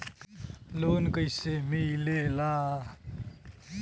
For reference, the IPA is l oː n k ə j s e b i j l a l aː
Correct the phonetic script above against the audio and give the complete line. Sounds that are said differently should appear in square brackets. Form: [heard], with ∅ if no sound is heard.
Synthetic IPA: l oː n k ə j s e [m] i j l [e] l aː